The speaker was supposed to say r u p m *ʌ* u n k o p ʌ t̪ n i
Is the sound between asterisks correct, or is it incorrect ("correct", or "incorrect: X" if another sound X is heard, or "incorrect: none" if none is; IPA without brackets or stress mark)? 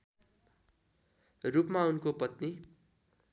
incorrect: a